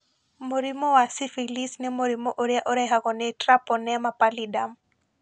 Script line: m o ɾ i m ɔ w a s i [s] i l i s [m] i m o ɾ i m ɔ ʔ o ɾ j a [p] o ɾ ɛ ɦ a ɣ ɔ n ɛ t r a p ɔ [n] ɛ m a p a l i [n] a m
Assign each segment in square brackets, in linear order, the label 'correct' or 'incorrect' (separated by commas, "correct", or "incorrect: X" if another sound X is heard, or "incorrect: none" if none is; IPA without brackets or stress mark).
incorrect: f, incorrect: n, incorrect: ʔ, correct, incorrect: d